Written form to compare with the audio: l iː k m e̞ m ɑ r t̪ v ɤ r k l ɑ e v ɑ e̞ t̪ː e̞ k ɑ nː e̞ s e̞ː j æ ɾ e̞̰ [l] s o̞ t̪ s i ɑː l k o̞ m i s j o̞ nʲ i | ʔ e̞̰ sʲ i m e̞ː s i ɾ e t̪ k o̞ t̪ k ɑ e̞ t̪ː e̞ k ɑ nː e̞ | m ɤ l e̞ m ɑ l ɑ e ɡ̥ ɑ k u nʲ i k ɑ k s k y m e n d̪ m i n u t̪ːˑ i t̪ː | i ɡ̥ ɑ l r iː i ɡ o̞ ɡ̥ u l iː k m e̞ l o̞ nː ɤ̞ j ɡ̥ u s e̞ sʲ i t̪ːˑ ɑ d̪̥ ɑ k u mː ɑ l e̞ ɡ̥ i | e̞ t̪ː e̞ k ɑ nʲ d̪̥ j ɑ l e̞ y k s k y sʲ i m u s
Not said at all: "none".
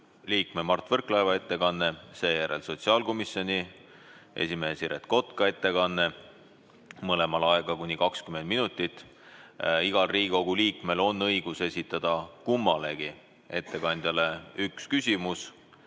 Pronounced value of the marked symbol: l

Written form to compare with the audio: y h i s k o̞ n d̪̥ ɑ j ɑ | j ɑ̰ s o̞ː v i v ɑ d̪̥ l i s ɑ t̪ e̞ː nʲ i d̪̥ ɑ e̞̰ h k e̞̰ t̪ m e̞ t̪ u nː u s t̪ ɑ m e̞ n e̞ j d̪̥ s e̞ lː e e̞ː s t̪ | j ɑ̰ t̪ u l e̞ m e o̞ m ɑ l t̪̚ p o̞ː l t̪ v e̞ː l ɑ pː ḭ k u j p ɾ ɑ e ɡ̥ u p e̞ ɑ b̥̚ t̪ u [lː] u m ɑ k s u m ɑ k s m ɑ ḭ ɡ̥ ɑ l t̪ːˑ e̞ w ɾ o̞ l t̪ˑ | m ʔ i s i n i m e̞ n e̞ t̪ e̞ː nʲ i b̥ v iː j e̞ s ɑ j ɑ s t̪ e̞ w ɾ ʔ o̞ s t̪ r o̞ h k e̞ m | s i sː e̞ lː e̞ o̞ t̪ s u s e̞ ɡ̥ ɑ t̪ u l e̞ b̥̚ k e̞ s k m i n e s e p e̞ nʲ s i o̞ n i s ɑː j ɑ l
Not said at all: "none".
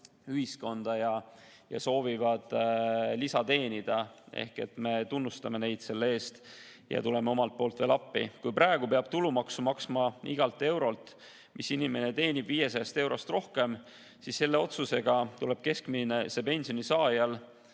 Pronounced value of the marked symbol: l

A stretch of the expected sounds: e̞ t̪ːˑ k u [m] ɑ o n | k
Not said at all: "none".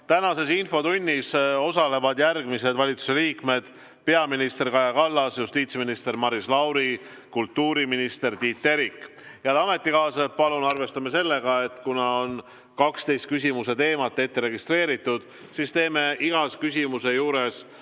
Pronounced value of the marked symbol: n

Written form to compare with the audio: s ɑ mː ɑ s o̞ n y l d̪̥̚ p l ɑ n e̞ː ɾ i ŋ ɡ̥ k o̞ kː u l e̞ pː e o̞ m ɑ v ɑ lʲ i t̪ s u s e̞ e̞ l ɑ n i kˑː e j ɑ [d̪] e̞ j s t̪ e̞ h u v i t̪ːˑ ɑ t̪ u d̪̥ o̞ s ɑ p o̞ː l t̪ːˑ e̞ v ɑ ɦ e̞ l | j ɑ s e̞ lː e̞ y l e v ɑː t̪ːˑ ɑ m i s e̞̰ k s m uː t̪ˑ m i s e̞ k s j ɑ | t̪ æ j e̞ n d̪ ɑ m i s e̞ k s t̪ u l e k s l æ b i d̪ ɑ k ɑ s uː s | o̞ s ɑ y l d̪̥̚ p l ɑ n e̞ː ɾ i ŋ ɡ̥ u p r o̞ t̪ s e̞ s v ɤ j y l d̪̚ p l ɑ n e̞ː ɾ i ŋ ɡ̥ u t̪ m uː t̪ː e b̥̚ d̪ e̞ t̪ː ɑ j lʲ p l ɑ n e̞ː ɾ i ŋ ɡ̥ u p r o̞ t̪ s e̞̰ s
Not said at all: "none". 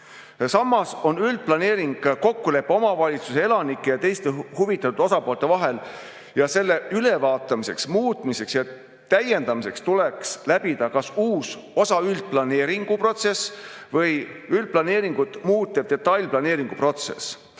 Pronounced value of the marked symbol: t̪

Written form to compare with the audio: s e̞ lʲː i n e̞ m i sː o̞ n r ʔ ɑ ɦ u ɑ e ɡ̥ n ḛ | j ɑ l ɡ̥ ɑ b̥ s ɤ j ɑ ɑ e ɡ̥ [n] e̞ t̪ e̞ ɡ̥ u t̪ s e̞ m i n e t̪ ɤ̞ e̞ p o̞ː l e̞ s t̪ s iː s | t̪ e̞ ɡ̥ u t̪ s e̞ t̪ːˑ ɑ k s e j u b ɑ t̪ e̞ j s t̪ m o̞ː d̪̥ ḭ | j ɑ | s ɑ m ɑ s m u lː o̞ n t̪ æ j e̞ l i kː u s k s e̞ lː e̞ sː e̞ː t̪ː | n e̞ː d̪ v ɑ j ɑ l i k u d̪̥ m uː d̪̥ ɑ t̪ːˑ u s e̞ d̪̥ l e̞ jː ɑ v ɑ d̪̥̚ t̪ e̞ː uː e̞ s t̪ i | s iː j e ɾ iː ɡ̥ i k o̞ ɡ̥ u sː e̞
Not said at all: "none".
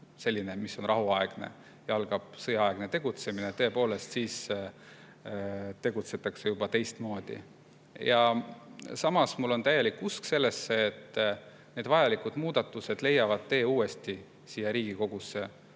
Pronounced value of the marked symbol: n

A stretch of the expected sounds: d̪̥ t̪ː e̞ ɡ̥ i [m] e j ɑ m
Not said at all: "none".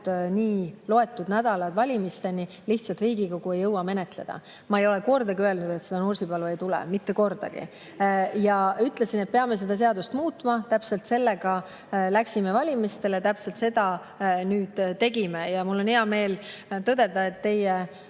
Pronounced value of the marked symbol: m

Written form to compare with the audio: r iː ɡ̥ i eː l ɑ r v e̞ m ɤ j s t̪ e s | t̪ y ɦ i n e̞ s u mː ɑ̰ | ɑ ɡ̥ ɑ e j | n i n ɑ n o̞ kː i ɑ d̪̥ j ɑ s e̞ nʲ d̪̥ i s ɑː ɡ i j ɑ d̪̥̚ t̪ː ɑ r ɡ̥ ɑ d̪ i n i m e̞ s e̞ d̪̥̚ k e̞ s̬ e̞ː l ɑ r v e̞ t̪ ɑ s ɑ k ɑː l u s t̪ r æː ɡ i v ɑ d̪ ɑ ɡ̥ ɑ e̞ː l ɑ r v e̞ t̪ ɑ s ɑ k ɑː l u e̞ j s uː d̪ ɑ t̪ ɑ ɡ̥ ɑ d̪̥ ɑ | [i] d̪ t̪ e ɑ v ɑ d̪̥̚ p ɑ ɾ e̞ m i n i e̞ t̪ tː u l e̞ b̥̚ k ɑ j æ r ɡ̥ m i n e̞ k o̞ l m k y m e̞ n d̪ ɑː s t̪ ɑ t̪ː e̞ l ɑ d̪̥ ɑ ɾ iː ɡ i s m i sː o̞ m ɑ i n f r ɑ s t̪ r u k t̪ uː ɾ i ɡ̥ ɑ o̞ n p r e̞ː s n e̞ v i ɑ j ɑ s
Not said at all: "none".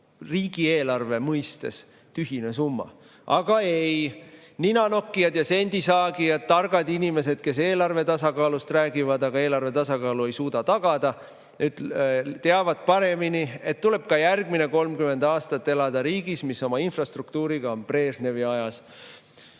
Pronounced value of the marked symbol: y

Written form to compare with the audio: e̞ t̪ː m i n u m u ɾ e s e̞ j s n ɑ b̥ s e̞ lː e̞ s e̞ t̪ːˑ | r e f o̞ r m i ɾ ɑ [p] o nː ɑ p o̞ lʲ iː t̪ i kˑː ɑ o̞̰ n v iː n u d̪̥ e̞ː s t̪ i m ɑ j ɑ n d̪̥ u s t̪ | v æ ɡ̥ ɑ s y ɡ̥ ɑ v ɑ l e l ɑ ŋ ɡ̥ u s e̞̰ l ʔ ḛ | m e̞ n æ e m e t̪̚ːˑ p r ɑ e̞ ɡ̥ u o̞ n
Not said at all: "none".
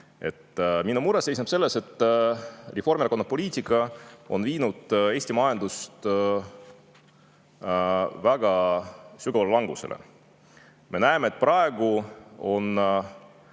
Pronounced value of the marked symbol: k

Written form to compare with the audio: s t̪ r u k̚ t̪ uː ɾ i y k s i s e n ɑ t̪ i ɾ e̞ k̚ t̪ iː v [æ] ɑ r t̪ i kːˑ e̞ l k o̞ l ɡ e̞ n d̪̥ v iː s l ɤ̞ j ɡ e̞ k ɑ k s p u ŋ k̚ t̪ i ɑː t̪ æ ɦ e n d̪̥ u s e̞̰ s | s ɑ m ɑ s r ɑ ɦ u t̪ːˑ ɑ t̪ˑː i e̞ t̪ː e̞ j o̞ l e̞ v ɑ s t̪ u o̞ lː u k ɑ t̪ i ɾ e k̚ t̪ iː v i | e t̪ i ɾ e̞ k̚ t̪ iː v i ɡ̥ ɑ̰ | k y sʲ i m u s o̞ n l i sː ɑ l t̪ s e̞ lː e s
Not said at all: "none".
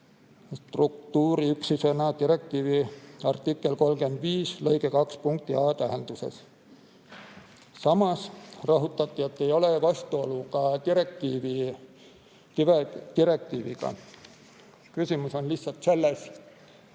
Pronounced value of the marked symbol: i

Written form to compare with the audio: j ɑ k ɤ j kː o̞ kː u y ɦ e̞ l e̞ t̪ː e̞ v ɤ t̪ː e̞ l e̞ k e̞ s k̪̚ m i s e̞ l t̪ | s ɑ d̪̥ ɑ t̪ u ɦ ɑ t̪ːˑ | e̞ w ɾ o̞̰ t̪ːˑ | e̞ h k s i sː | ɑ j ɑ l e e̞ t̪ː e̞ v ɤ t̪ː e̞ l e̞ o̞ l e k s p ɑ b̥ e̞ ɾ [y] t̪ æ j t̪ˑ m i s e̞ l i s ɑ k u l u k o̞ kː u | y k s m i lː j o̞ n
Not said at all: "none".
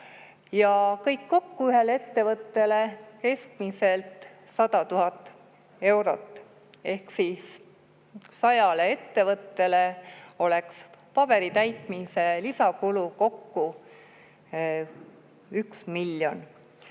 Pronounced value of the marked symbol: i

